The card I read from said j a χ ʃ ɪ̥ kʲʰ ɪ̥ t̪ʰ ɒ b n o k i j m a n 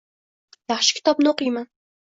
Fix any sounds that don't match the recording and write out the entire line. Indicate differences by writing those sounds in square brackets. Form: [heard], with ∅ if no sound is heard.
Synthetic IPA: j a χ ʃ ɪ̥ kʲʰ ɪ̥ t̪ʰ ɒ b n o [q] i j m a n